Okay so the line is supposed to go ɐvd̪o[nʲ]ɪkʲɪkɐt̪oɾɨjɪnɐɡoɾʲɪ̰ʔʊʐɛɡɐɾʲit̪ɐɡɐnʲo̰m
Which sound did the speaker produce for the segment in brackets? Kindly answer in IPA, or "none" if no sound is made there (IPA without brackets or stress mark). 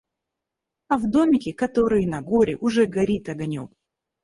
mʲ